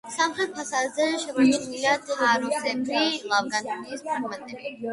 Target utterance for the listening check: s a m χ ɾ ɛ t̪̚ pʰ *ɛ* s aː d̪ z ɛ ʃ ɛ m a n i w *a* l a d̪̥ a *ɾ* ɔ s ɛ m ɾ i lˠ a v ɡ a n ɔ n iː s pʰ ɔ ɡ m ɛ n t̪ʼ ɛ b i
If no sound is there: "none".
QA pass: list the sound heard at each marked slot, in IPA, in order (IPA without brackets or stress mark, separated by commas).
a, i, ɾ